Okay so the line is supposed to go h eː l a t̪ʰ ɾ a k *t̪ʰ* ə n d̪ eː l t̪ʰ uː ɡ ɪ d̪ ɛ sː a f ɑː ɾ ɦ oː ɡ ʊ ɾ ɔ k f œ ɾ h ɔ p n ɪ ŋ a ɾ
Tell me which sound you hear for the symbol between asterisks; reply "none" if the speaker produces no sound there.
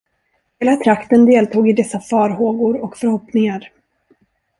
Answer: t̪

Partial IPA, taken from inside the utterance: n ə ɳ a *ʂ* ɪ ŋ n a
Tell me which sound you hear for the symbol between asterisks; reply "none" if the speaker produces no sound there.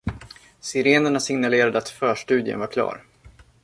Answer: s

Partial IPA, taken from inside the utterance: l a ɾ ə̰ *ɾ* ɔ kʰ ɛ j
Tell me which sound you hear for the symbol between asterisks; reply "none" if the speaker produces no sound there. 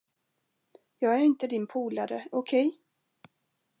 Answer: none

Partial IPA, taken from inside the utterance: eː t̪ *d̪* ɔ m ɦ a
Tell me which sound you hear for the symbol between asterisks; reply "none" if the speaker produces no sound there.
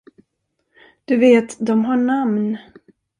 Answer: d̪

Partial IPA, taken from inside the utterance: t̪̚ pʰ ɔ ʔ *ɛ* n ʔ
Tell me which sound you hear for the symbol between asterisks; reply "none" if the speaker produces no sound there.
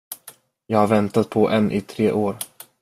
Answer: ɛ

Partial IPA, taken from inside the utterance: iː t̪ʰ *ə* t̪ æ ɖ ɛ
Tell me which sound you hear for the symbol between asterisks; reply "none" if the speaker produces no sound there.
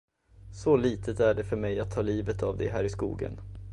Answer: ə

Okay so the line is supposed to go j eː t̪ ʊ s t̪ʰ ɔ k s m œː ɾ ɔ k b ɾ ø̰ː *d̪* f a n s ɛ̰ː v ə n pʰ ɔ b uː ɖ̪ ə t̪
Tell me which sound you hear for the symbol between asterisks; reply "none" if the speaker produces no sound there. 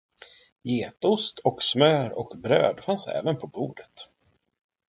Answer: d̪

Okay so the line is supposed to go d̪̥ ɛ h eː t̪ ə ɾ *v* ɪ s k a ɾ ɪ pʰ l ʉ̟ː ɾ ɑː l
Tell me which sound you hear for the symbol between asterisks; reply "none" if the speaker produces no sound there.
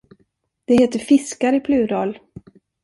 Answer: f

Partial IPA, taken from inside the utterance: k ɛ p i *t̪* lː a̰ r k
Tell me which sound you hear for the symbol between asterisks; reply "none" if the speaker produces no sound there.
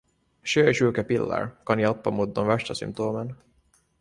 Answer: none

